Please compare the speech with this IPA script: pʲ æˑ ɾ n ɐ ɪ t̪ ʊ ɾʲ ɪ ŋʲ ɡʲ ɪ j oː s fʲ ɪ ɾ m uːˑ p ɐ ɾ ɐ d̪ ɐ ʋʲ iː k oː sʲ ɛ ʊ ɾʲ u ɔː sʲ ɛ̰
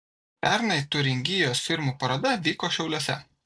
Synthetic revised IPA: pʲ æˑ ɾ n ɐ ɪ t̪ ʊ ɾʲ ɪ ŋʲ ɡʲ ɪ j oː s fʲ ɪ ɾ m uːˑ p ɐ ɾ ɐ d̪ ɐ ʋʲ iː k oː ʃʲ ɛ ʊ lʲ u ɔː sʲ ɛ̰